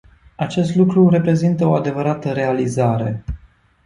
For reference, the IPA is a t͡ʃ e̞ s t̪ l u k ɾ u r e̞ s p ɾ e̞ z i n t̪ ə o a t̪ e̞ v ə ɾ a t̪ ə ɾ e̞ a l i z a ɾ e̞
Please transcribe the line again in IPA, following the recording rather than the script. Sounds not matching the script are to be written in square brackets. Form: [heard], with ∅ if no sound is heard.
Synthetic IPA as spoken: a t͡ʃ e̞ s t̪ l u k ɾ u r e̞ [∅] p ɾ e̞ z i n t̪ ə o a [d̪] e̞ v ə ɾ a t̪ ə ɾ e̞ a l i z a ɾ e̞